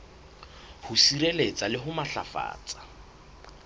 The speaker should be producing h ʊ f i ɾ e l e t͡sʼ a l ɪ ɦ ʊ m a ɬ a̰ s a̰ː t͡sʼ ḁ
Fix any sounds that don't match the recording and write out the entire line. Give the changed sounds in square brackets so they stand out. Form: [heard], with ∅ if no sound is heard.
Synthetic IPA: h ʊ [s] i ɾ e l e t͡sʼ a l ɪ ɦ ʊ m a ɬ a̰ [f] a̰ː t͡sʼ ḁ